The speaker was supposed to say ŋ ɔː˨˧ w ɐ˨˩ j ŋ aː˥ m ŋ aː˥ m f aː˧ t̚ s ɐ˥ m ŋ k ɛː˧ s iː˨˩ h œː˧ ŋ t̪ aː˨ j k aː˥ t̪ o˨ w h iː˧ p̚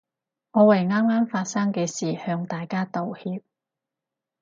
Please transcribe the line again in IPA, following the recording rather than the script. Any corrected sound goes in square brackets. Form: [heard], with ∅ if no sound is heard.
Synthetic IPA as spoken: ŋ ɔː˨˧ w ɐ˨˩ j ŋ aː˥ m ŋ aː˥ m f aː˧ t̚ s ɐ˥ [∅] ŋ k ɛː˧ s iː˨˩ h œː˧ ŋ t̪ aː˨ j k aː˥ t̪ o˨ w h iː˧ p̚